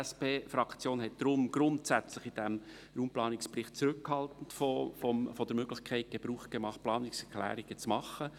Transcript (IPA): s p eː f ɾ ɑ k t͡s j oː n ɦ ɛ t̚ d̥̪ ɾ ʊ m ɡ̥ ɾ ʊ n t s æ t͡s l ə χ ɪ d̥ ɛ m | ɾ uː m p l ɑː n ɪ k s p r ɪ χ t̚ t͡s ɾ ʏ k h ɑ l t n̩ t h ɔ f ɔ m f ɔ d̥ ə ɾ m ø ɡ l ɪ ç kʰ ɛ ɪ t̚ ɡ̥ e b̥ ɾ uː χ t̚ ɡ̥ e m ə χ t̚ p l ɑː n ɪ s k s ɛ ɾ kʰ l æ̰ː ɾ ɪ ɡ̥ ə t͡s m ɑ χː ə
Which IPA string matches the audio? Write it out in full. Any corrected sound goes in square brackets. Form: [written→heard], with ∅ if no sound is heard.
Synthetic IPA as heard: s p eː f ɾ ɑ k t͡s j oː n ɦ ɛ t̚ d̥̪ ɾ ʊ m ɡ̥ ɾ ʊ n t s æ t͡s l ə χ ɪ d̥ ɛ m | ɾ uː m p l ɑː n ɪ k s p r ɪ χ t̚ t͡s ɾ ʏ k h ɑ l t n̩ t [h→f] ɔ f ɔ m f ɔ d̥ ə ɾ m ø ɡ l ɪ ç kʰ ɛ ɪ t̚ ɡ̥ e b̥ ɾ uː χ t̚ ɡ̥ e m [ə→ɑ] χ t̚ p l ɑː n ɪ [s→∅] k s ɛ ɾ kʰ l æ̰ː ɾ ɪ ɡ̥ ə t͡s m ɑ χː ə